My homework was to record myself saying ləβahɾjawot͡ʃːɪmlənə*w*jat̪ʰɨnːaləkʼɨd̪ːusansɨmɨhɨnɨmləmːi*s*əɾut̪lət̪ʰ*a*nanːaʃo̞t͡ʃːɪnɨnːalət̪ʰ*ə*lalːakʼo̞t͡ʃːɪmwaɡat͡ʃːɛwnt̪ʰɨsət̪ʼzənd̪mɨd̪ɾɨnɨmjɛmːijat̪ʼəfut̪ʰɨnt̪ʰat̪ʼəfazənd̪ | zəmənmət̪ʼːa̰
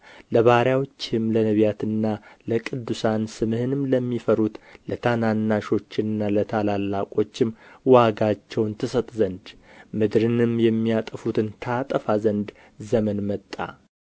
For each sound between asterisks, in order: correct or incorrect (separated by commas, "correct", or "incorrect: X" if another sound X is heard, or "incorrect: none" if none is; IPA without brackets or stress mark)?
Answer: incorrect: β, incorrect: f, correct, incorrect: a